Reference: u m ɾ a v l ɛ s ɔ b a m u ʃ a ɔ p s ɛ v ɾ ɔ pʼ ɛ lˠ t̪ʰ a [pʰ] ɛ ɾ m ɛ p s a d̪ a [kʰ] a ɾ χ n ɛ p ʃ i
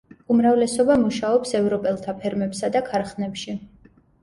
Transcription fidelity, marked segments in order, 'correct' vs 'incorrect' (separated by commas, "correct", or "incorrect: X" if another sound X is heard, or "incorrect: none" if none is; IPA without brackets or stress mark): correct, correct